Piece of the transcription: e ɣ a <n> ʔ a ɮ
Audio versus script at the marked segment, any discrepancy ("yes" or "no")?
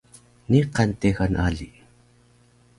no